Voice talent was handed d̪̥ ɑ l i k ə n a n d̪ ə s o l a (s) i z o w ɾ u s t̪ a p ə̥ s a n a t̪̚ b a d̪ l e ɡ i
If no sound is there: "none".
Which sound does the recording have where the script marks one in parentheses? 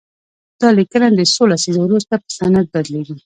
s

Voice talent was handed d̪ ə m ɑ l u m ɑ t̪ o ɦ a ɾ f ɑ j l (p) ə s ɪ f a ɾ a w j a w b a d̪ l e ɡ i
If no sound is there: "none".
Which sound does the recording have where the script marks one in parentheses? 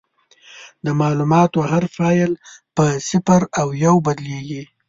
p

